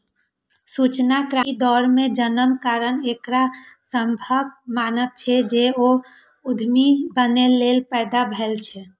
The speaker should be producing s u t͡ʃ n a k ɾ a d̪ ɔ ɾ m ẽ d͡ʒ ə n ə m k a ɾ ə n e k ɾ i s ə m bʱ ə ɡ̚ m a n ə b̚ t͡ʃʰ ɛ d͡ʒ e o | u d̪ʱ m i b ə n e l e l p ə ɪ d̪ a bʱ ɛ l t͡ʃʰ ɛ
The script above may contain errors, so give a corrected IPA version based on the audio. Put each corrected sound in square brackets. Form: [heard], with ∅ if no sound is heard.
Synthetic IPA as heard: s u t͡ʃ n a k ɾ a d̪ ɔ ɾ m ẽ d͡ʒ ə n ə m k a ɾ ə n e k ɾ [a] s ə m bʱ ə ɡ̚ m a n ə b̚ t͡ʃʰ ɛ d͡ʒ e o | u d̪ʱ m i b ə n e l e l p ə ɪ d̪ a bʱ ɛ l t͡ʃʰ ɛ